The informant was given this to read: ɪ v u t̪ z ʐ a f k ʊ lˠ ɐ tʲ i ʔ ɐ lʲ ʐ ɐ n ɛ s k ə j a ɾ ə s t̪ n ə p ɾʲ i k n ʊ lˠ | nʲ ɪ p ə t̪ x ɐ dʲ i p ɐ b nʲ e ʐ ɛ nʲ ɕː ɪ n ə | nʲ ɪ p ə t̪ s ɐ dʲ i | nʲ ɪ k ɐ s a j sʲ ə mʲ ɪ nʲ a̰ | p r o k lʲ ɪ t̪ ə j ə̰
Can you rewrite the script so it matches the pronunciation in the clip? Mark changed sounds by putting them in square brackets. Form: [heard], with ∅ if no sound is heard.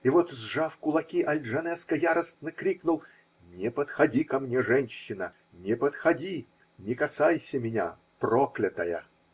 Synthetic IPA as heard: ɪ v [o] t̪ z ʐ a f k ʊ lˠ ɐ [kʲ] i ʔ ɐ lʲ ʐ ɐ n ɛ s k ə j a ɾ ə s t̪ n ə [k] ɾʲ i k n ʊ lˠ | nʲ ɪ p ə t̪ x ɐ dʲ i [k] ɐ [m] nʲ e ʐ ɛ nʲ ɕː ɪ n ə | nʲ ɪ p ə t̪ [x] ɐ dʲ i | nʲ ɪ k ɐ s a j sʲ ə mʲ ɪ nʲ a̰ | p r o k lʲ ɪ t̪ ə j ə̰

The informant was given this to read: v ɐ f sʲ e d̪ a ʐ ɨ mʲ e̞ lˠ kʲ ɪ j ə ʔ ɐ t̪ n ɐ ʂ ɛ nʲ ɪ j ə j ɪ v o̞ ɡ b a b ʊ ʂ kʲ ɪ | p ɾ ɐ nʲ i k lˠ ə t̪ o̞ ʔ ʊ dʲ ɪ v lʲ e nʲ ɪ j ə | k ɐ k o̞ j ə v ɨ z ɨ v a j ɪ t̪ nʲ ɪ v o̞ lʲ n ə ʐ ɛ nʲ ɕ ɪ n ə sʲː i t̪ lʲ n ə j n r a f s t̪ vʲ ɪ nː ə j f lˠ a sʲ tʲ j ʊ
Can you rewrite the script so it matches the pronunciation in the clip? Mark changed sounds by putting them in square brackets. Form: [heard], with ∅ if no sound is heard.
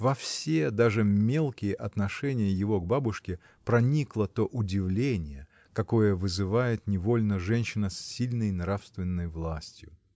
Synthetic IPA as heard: v ɐ f sʲ e d̪ a ʐ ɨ mʲ e̞ lˠ kʲ ɪ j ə ʔ ɐ t̪ n ɐ ʂ ɛ nʲ ɪ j ə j ɪ v o̞ ɡ b a b ʊ ʂ kʲ ɪ | p ɾ ɐ nʲ i k lˠ ə t̪ o̞ ʔ ʊ dʲ ɪ v lʲ e nʲ ɪ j ə | k ɐ k o̞ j ə v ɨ z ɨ v a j ɪ t̪ nʲ ɪ v o̞ lʲ n ə ʐ ɛ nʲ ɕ ɪ n ə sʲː i [∅] lʲ n ə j n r a f s t̪ vʲ ɪ nː ə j [v] lˠ a sʲ tʲ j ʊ

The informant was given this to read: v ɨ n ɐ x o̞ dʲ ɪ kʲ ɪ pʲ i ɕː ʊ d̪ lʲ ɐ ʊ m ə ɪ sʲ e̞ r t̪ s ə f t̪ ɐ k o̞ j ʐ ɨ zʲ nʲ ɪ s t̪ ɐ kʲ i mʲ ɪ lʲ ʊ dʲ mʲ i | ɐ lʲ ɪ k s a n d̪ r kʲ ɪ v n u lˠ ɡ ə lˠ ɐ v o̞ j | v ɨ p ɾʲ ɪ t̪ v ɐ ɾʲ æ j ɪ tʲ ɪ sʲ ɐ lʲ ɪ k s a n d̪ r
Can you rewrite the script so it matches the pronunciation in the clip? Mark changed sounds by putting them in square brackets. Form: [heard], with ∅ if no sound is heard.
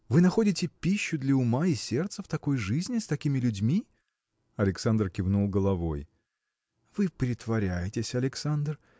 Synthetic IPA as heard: v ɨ n ɐ x o̞ dʲ ɪ [tʲ] ɪ pʲ i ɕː ʊ d̪ lʲ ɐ ʊ m [a] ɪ sʲ e̞ r t̪ s ə f t̪ ɐ k o̞ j ʐ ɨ zʲ nʲ ɪ s t̪ ɐ kʲ i mʲ ɪ lʲ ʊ dʲ mʲ i | ɐ lʲ ɪ k s a n d̪ r kʲ ɪ v n u lˠ ɡ ə lˠ ɐ v o̞ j | v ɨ p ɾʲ ɪ t̪ v ɐ ɾʲ æ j ɪ tʲ ɪ sʲ ɐ lʲ ɪ k s a n d̪ r

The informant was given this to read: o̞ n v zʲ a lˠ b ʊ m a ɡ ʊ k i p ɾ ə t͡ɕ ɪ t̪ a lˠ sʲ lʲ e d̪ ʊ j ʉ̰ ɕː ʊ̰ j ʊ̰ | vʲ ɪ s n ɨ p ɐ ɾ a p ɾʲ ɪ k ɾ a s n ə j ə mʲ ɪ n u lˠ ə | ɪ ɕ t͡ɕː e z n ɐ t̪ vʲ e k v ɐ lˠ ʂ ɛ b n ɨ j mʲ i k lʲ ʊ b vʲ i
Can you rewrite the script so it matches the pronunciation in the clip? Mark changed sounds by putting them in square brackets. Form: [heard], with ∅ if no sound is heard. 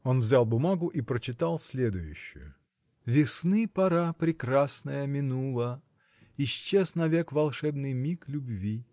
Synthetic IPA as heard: o̞ n v zʲ a lˠ b ʊ m a ɡ ʊ [ʔ] i p ɾ ə t͡ɕ ɪ t̪ a lˠ sʲ lʲ e d̪ ʊ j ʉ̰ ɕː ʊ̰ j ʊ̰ | vʲ ɪ s n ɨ p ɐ ɾ a p ɾʲ ɪ k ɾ a s n ə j ə mʲ ɪ n u lˠ ə | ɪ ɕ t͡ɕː e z n ɐ [∅] vʲ e k v ɐ lˠ ʂ ɛ b n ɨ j mʲ i k lʲ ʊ b vʲ i

